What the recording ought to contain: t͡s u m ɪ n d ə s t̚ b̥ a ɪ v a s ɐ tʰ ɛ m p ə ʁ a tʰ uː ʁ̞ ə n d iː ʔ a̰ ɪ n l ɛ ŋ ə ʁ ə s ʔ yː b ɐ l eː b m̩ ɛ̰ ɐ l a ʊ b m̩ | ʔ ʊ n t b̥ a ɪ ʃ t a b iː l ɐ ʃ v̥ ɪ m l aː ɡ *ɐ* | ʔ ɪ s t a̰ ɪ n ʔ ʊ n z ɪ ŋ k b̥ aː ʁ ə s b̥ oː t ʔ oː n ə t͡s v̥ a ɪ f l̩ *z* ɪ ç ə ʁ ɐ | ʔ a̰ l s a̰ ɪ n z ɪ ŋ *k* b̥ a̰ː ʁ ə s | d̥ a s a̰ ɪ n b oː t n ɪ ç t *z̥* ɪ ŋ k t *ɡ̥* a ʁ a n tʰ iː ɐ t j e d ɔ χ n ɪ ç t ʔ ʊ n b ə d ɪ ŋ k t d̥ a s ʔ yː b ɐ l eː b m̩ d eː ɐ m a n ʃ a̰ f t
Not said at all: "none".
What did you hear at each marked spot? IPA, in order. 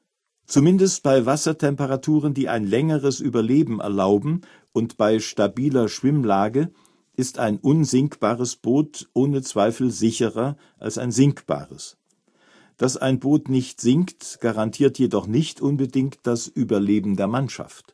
ə, z, k, z̥, ɡ̥

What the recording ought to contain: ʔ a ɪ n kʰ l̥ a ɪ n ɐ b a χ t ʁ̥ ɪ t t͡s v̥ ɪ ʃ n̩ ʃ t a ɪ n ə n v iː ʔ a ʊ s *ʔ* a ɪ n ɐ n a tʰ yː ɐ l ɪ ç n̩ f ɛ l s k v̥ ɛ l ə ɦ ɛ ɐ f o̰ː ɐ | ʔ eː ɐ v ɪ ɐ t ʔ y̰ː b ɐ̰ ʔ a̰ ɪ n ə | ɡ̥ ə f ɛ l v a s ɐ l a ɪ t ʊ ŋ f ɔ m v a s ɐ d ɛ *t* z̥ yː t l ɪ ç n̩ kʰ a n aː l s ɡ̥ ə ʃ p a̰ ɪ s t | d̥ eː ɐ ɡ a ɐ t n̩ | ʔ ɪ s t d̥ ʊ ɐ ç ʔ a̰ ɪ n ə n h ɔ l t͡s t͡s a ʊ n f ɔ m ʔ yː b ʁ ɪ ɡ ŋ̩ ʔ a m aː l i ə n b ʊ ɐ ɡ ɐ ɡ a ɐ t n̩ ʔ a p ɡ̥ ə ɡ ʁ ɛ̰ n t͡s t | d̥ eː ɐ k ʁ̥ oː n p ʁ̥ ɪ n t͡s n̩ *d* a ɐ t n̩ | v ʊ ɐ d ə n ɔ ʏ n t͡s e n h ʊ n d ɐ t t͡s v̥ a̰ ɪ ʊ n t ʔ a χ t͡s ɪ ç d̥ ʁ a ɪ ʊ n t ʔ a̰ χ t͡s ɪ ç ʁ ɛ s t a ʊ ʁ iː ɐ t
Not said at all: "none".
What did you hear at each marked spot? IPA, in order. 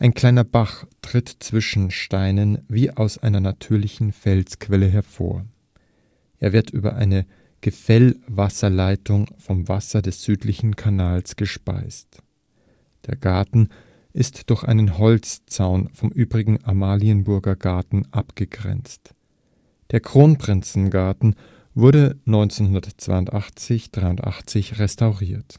ʔ, s, ɡ

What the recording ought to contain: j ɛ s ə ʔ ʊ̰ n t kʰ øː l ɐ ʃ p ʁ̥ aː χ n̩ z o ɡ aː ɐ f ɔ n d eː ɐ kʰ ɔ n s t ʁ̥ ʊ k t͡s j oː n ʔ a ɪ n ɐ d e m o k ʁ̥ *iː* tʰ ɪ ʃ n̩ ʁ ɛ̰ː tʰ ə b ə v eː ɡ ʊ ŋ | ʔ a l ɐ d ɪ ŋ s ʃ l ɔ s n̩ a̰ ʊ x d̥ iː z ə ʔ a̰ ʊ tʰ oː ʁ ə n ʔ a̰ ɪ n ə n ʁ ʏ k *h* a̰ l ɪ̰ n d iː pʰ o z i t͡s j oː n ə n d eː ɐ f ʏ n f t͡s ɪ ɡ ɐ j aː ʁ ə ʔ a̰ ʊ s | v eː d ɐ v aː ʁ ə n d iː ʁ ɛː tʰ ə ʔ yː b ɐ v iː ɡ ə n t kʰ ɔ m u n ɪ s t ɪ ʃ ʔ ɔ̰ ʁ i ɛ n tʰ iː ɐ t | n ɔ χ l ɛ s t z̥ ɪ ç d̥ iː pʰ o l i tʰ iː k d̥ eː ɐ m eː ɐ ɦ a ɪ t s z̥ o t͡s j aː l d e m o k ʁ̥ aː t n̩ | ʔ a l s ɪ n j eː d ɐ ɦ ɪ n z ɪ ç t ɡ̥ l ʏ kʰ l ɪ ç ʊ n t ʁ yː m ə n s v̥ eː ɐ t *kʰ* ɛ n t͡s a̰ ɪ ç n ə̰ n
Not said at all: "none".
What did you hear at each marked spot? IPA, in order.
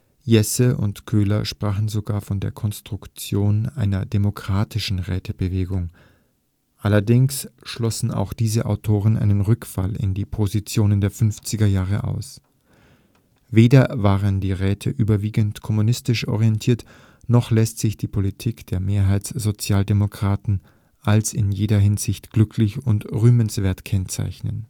aː, f, kʰ

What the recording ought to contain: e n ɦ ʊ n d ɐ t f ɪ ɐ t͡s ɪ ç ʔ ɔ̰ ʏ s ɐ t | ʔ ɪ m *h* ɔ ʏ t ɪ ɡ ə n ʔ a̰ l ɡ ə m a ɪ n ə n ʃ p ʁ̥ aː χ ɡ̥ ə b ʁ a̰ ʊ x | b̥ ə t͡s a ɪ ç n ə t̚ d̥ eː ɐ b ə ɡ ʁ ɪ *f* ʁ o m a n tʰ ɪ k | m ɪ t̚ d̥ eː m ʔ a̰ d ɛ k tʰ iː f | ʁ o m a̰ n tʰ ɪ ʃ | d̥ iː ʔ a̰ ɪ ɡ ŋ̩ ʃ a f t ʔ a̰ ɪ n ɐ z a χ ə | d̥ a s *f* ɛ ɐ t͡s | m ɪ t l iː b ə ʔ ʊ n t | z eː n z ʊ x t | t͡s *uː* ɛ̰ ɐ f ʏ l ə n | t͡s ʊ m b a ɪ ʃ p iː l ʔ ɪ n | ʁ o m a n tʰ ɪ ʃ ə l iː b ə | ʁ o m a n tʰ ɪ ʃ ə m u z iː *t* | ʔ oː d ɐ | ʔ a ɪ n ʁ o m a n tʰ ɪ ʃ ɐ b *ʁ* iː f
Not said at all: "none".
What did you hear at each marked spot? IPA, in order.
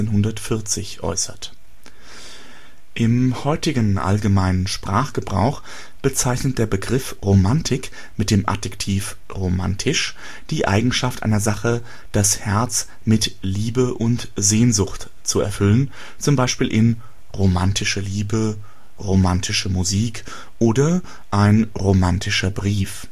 h, f, h, u, k, ʁ

